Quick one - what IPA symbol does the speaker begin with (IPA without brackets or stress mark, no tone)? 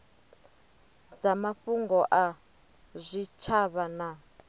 d͡z